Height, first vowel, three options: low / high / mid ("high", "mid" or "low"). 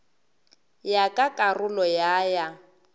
low